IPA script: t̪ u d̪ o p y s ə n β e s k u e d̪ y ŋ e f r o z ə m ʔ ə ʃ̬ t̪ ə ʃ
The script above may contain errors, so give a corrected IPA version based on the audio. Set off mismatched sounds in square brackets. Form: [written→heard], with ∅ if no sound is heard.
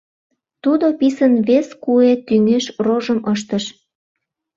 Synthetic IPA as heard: t̪ u d̪ o p [y→i] s ə n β e s k u e [d̪→t̪] y ŋ e [f→ʃ] r o [z→ʒ] ə m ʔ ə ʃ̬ t̪ ə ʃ